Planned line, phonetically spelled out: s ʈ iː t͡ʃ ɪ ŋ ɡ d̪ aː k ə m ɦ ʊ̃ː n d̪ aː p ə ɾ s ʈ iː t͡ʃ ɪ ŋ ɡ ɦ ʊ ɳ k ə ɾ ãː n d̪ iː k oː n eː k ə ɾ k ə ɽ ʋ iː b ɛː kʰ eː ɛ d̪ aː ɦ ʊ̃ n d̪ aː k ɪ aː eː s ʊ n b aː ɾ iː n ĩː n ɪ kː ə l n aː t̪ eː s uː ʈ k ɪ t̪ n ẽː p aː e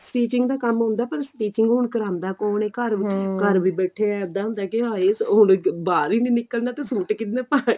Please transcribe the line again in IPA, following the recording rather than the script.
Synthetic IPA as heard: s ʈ iː t͡ʃ ɪ ŋ ɡ d̪ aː k ə m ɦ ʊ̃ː n d̪ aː p ə ɾ s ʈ iː t͡ʃ ɪ ŋ ɡ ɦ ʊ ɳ k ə ɾ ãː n d̪ aː k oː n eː k ə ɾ k ə ɾ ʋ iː b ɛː ʈʰ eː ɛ d̪ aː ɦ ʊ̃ n d̪ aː k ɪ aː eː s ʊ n b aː ɾ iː n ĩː n ɪ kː ə l n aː t̪ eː s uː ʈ k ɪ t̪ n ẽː p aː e